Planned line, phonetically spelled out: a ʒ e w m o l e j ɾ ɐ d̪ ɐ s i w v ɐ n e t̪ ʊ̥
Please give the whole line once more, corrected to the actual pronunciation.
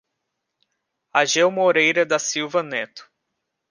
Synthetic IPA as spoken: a ʒ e w m o ɾ e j ɾ ɐ d̪ ɐ s i w v ɐ n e t̪ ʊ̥